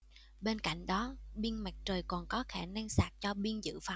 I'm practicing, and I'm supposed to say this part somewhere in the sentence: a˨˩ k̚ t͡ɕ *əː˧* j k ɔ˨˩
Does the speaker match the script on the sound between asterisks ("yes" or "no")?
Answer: no